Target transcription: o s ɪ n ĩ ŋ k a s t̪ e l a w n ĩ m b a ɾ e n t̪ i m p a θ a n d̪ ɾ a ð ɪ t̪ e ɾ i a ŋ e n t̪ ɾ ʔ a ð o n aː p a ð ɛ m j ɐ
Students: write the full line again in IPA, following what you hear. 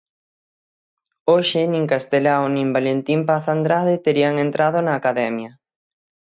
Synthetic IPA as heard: o ʃ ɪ n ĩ ŋ k a s t̪ e l a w n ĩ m b a l e n t̪ i m p a θ a n d̪ ɾ a ð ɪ t̪ e ɾ i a ŋ e n t̪ ɾ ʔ a ð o n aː k a ð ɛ m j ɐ

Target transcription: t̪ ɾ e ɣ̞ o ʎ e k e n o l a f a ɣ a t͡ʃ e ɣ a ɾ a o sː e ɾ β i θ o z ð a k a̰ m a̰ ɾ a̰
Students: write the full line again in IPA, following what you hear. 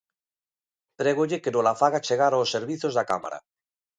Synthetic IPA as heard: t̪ ɾ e ɣ̞ o ʎ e k e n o l a f a ɣ a t͡ʃ e ɣ a ɾ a o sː e ɾ β i θ o z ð a k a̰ m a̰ ɾ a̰

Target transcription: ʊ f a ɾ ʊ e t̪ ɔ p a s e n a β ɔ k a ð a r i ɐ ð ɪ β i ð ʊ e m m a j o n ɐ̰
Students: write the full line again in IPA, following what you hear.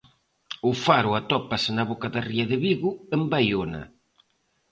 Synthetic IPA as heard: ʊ f a ɾ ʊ a t̪ ɔ p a s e n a β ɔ k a ð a r i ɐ ð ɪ β i ɣ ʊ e m b a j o n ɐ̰

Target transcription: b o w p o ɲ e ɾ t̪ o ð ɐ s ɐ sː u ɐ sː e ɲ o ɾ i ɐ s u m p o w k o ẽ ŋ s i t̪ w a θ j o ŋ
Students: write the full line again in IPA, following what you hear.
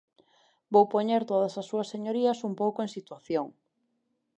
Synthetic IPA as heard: b o w p o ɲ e ɾ t̪ o ð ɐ s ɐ sː u ɐ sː e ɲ o ɾ i ɐ s u m p o w k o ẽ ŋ s i t̪ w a θ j o ŋ

